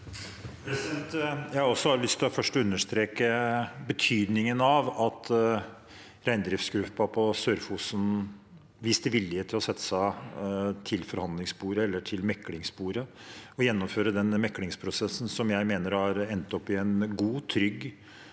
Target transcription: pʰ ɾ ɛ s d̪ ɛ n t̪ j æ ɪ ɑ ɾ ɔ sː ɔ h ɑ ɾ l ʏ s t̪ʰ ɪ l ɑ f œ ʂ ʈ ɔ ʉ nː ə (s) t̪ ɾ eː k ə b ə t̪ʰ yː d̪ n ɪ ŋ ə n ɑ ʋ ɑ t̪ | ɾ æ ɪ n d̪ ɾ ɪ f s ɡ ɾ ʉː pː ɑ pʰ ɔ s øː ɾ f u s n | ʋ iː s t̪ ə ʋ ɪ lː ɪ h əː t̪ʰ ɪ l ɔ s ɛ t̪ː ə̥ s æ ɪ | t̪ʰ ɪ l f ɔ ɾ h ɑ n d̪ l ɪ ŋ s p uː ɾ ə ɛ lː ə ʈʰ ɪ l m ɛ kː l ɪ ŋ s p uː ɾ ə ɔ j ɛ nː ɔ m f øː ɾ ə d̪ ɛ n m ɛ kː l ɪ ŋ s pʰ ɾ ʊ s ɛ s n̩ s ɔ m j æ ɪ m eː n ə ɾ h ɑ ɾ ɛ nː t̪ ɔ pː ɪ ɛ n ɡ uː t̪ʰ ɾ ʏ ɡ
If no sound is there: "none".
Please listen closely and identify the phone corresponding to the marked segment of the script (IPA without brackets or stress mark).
ʂ